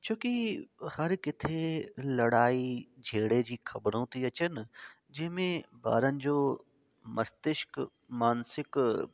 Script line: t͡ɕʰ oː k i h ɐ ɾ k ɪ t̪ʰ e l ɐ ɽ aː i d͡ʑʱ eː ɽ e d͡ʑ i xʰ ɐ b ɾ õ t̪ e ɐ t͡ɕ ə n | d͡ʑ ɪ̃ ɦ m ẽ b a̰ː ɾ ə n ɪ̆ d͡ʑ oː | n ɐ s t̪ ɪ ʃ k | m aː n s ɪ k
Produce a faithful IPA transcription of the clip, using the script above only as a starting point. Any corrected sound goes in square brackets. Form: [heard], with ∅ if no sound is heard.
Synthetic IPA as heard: t͡ɕʰ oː k i h ɐ ɾ k ɪ t̪ʰ e l ɐ ɽ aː i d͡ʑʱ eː ɽ e d͡ʑ [iː] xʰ ɐ b ɾ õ t̪ [i] ɐ t͡ɕ ə n | d͡ʑ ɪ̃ ɦ m ẽ b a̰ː ɾ ə n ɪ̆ d͡ʑ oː | [m] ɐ s t̪ ɪ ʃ k | m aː n s ɪ k

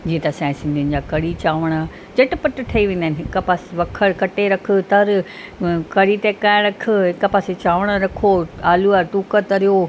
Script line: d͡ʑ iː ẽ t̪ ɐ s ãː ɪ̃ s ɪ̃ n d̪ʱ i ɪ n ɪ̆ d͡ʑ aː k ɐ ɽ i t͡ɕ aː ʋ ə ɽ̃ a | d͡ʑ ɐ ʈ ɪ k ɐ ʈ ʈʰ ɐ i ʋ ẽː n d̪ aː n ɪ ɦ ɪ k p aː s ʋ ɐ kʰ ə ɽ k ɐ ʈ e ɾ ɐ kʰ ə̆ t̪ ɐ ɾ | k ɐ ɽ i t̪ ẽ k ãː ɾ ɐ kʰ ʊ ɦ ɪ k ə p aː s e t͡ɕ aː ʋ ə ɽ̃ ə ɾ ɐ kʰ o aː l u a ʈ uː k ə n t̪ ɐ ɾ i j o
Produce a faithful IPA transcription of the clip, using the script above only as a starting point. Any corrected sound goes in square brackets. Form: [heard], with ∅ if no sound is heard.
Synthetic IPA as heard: d͡ʑ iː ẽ t̪ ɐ s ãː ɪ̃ s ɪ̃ n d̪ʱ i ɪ n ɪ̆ d͡ʑ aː k ɐ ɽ i t͡ɕ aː ʋ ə ɽ̃ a | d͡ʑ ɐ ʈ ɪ [p] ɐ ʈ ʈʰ ɐ i ʋ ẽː n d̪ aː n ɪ ɦ ɪ k p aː s ʋ ɐ kʰ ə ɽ k ɐ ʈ e ɾ ɐ kʰ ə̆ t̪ ɐ ɾ | k ɐ ɽ i t̪ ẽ k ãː ɾ ɐ kʰ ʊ ɦ ɪ k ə p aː s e t͡ɕ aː ʋ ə ɽ̃ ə ɾ ɐ kʰ o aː l u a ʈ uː k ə [∅] t̪ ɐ ɾ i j o

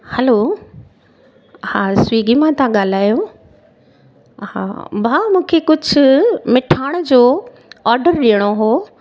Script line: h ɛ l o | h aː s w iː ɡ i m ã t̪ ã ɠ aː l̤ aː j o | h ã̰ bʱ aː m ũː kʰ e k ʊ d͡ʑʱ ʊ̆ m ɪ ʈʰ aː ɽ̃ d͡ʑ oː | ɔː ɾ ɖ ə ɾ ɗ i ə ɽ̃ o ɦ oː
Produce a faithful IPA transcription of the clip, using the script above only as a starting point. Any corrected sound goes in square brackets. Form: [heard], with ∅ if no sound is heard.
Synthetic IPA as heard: h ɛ l o | h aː s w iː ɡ i m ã t̪ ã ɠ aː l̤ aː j o | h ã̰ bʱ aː m ũː kʰ e k ʊ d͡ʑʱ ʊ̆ m ɪ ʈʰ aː ɽ̃ d͡ʑ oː | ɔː ɾ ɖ ə ɾ ɗ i ə ɽ̃ o ɦ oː

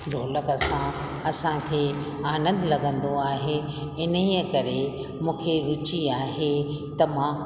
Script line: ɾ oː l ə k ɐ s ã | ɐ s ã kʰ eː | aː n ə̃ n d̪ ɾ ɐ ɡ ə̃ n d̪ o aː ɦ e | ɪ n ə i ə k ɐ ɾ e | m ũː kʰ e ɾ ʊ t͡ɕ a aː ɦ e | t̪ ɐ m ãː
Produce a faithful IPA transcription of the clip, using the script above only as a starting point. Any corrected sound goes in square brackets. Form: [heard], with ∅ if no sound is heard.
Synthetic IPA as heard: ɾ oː l ə k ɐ s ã | ɐ s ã kʰ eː | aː n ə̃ n d̪ [l] ɐ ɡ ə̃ n d̪ o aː ɦ e | ɪ n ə i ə k ɐ ɾ e | m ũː kʰ e ɾ ʊ t͡ɕ [i] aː ɦ e | t̪ ɐ m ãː

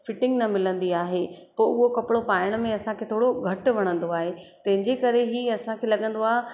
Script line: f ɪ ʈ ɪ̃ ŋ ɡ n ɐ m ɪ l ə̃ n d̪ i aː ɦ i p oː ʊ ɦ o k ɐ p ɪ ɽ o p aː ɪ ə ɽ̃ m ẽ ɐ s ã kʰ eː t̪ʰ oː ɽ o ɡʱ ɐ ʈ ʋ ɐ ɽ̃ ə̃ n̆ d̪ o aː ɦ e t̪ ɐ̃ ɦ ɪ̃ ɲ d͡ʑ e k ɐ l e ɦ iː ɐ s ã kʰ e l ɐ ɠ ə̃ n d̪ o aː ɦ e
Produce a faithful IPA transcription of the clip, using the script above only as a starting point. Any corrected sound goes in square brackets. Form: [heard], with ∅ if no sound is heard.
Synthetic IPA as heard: f ɪ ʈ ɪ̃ ŋ ɡ n ɐ m ɪ l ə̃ n d̪ i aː ɦ [e] p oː ʊ ɦ o k ɐ p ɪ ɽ o p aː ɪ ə ɽ̃ m ẽ ɐ s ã kʰ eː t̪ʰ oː ɽ o ɡʱ ɐ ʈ ʋ ɐ ɽ̃ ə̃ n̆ d̪ o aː ɦ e t̪ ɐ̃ ɦ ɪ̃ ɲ d͡ʑ e k ɐ [ɾ] e ɦ iː ɐ s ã kʰ e l ɐ ɠ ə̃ n d̪ o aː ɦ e

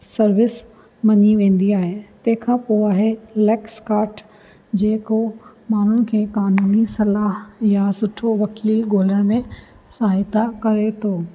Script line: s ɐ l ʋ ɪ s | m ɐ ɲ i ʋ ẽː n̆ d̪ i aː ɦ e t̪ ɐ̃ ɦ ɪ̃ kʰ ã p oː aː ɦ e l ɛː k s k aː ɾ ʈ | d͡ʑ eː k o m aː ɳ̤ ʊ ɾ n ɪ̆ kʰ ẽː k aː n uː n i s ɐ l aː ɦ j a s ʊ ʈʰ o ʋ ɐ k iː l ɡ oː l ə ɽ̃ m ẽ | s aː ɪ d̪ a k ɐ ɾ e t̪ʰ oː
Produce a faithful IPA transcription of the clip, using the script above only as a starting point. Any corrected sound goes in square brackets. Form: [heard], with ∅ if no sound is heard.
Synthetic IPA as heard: s ɐ [ɾ] ʋ ɪ s | m ɐ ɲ i ʋ ẽː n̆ d̪ i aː ɦ e t̪ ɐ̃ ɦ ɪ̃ kʰ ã p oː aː ɦ e l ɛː k s k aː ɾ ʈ | d͡ʑ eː k o m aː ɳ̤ ʊ [∅] n ɪ̆ kʰ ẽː k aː n uː n i s ɐ l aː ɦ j a s ʊ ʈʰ o ʋ ɐ k iː l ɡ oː l ə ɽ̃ m ẽ | s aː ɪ [t̪] a k ɐ ɾ e t̪ʰ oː

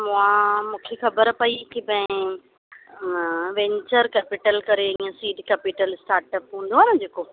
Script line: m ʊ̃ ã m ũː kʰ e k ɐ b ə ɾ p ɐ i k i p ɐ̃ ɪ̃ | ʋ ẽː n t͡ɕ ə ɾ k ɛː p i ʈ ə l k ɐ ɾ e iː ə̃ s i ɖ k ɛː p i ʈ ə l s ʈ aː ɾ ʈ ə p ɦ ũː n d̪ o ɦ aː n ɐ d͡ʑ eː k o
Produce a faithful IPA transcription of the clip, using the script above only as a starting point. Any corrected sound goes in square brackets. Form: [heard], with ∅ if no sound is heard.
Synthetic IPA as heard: m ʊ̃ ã m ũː kʰ e [x] ɐ b ə ɾ p ɐ i k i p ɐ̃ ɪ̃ | ʋ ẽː [ɲ] t͡ɕ ə ɾ k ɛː p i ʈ ə l k ɐ ɾ e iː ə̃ s [iː] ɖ k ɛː p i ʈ ə l s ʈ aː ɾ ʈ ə p ɦ ũː n d̪ o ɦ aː n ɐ d͡ʑ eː k o

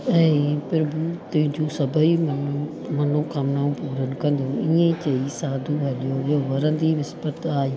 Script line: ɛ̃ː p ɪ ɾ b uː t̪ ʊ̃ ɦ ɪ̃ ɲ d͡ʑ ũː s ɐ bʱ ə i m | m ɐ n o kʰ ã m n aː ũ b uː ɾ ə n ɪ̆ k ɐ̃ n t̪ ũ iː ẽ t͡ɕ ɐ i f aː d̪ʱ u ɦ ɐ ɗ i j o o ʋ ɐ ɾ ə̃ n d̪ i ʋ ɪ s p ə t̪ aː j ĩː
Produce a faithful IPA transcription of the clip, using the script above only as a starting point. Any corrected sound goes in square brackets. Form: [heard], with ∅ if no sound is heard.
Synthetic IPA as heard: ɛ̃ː p ɪ ɾ b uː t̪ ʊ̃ ɦ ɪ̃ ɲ d͡ʑ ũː s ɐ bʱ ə i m | m ɐ n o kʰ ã m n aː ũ [p] uː ɾ ə n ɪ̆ k ɐ̃ n [d̪] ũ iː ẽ t͡ɕ ɐ i [s] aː d̪ʱ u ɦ ɐ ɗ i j o o ʋ ɐ ɾ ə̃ n d̪ i ʋ ɪ s p ə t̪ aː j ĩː

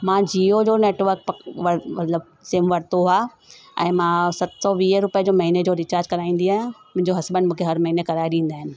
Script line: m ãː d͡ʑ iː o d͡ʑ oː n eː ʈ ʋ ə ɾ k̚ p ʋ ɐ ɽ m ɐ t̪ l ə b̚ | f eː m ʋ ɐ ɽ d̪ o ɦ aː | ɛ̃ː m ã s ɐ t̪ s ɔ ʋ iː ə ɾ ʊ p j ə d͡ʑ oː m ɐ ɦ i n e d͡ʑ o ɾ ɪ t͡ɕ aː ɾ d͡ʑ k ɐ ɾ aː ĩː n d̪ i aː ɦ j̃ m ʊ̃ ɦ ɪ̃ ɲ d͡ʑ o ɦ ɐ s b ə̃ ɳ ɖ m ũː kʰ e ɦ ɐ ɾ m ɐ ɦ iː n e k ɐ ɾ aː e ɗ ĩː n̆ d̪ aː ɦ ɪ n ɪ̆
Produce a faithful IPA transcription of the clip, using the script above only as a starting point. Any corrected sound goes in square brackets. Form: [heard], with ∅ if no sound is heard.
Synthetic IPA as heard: m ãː d͡ʑ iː o d͡ʑ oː n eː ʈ ʋ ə ɾ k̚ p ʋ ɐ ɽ m ɐ t̪ l ə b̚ | [s] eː m ʋ ɐ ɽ [t̪] o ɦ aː | ɛ̃ː m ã s ɐ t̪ s ɔ ʋ iː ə ɾ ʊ p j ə d͡ʑ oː m ɐ ɦ i n e d͡ʑ o ɾ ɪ t͡ɕ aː ɾ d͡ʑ k ɐ ɾ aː ĩː n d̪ i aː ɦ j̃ m ʊ̃ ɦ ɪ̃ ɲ d͡ʑ o ɦ ɐ s b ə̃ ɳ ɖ m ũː kʰ e ɦ ɐ ɾ m ɐ ɦ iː n e k ɐ ɾ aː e ɗ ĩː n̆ d̪ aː ɦ ɪ n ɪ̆

